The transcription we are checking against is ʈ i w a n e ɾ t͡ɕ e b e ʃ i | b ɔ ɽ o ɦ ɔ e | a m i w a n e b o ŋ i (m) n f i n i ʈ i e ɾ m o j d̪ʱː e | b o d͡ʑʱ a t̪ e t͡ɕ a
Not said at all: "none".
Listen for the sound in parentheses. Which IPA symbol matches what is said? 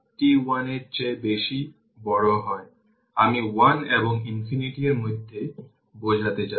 none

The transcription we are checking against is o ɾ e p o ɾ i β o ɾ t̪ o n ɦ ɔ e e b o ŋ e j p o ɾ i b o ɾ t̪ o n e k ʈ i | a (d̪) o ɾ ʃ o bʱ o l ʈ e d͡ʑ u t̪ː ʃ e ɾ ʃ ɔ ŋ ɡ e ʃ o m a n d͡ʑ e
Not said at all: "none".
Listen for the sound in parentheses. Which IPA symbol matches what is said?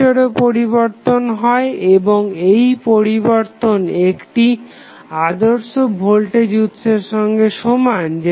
d̪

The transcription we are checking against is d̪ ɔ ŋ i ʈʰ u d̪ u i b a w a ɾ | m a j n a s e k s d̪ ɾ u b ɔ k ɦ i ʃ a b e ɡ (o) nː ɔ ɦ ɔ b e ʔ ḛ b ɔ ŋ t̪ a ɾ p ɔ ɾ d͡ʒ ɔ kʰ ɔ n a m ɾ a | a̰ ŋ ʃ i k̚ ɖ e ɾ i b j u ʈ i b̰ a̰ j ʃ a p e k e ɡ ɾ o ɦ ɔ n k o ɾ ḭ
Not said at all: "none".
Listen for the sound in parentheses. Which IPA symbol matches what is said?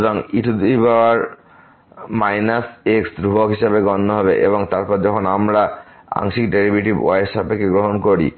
ɔ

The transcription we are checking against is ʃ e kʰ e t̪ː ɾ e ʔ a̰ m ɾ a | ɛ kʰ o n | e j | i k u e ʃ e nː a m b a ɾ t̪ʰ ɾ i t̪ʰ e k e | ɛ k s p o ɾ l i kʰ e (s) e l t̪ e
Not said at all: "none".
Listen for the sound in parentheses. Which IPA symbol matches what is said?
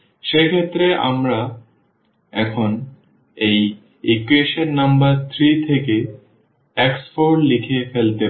f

